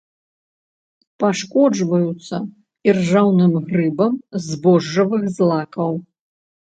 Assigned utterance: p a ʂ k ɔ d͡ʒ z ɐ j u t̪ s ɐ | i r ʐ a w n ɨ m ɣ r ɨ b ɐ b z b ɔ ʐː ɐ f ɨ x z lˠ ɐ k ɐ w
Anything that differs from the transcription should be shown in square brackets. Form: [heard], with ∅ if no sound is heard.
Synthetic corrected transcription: p a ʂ k ɔ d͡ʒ [v] ɐ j u t̪ s ɐ | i r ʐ a w n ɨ m ɣ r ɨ b ɐ [m] z b ɔ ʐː ɐ [v] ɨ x z lˠ [a] k ɐ w

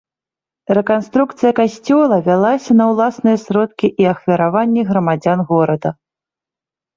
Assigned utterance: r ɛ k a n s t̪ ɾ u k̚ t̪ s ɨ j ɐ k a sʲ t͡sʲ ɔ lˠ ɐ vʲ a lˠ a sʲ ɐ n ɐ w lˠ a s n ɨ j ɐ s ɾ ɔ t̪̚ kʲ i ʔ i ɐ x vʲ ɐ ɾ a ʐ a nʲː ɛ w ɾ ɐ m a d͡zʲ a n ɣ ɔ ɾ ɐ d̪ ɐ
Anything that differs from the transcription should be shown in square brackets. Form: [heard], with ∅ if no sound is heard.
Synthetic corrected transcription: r ɛ k a n s t̪ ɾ u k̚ t̪ s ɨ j ɐ k a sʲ t͡sʲ ɔ lˠ ɐ vʲ a lˠ a sʲ ɐ n ɐ w lˠ a s n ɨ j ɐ s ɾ ɔ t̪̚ kʲ i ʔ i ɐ x vʲ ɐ ɾ a [v] a nʲː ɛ [ɣ] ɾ ɐ m a d͡zʲ a n ɣ ɔ ɾ ɐ d̪ ɐ

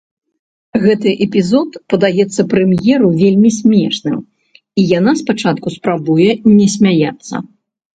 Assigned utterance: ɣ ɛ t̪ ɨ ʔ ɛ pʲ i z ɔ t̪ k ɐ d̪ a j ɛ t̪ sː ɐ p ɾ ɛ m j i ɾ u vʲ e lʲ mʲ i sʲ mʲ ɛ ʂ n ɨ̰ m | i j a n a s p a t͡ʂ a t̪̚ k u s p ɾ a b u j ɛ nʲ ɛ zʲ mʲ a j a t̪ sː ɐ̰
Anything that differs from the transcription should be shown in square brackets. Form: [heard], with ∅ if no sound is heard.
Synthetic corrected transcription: ɣ ɛ t̪ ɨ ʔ ɛ pʲ i z ɔ t̪ [p] ɐ d̪ a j ɛ t̪ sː ɐ p ɾ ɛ m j [ɛ] ɾ u vʲ e lʲ mʲ i sʲ mʲ ɛ ʂ n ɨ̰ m | i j a n a s p a t͡ʂ a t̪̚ k u s p ɾ a b u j ɛ nʲ ɛ [sʲ] mʲ a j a t̪ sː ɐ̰

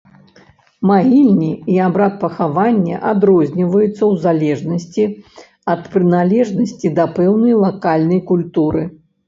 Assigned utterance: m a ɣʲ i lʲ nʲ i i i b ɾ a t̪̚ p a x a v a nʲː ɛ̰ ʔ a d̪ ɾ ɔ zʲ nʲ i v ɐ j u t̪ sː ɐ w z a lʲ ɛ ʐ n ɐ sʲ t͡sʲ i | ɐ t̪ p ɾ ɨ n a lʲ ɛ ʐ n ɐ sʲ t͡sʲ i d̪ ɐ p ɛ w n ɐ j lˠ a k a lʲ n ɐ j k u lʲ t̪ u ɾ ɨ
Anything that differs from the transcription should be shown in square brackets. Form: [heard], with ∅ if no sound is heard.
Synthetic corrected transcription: m a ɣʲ i lʲ nʲ i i [a] b ɾ a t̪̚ p [ɐ] x a v a nʲː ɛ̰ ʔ a d̪ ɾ ɔ zʲ nʲ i v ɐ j u t̪ sː ɐ w z a lʲ ɛ ʐ n ɐ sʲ t͡sʲ i | ɐ t̪ p ɾ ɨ n a lʲ ɛ ʐ n ɐ sʲ t͡sʲ i d̪ ɐ p ɛ w n ɐ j lˠ a k a lʲ n ɐ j k u lʲ t̪ u ɾ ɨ

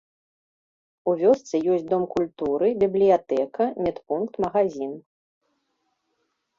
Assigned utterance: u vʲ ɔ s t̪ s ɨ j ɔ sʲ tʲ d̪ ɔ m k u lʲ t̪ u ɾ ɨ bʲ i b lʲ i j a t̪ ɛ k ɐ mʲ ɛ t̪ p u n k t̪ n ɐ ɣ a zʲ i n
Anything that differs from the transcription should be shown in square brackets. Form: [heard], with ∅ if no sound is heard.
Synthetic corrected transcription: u vʲ ɔ s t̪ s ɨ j ɔ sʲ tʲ d̪ ɔ m k u lʲ t̪ u ɾ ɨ bʲ i b lʲ i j a t̪ ɛ k ɐ mʲ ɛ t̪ p u n k t̪ [m] ɐ ɣ a zʲ i n

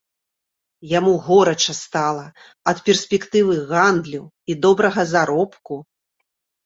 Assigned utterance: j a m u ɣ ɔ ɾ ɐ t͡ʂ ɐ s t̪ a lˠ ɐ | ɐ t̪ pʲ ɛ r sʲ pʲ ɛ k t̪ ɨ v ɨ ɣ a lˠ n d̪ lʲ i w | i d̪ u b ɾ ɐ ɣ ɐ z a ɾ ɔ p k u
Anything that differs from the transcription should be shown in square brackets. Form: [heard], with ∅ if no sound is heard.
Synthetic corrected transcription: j a m u ɣ ɔ ɾ ɐ t͡ʂ ɐ s t̪ a lˠ ɐ | ɐ t̪ pʲ ɛ r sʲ pʲ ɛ k t̪ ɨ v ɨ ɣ a [∅] n d̪ lʲ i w | i d̪ [ɔ] b ɾ ɐ ɣ ɐ z a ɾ ɔ p k u

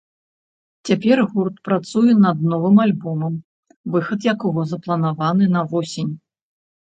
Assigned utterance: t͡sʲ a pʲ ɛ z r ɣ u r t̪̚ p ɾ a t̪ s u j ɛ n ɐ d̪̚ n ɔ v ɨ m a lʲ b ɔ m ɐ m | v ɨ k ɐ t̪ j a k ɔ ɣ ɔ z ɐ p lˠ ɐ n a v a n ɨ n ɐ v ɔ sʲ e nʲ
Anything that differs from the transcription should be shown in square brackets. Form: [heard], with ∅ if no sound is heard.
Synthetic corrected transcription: t͡sʲ a pʲ ɛ [∅] r ɣ u r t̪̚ p ɾ a t̪ s u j ɛ n ɐ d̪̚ n ɔ v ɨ m a lʲ b ɔ m ɐ m | v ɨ [x] ɐ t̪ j a k ɔ ɣ ɔ z ɐ p lˠ ɐ n a v a n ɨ n ɐ v ɔ sʲ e nʲ

